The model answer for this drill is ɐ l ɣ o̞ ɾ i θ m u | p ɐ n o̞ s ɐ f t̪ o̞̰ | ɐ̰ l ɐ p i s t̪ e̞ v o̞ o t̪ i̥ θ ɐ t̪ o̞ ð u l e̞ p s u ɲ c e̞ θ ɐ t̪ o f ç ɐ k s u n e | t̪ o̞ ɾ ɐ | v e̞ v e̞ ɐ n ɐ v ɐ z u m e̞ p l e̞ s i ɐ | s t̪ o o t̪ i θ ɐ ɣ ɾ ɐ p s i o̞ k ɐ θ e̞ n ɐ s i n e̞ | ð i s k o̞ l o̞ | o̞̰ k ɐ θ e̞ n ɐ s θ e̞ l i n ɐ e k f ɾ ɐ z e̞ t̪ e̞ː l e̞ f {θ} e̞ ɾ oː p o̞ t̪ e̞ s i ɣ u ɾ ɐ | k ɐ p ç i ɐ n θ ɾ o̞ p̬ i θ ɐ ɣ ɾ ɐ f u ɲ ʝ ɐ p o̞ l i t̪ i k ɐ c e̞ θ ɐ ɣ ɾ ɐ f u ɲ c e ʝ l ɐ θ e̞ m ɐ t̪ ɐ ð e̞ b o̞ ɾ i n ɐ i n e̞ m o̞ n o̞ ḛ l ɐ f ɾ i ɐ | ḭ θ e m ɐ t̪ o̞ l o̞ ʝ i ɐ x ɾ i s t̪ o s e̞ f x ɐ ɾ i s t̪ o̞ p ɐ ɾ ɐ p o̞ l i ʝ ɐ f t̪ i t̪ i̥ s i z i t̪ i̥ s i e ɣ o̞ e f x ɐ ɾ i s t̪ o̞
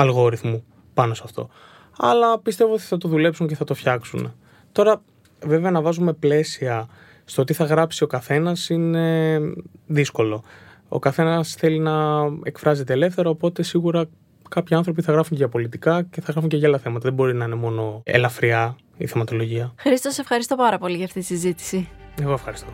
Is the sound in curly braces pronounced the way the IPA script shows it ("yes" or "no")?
yes